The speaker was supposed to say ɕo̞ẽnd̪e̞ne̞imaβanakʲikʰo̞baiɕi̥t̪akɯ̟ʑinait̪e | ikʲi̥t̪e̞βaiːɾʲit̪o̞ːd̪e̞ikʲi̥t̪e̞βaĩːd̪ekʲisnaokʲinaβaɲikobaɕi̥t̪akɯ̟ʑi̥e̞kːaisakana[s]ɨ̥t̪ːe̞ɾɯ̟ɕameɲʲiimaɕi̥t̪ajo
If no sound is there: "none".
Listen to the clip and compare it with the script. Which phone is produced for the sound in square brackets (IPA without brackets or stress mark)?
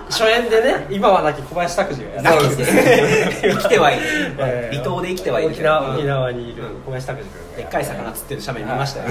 t͡s